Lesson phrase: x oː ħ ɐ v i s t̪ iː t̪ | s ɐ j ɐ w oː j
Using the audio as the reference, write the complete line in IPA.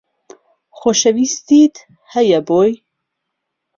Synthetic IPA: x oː ʃ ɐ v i s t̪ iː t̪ | h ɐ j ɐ b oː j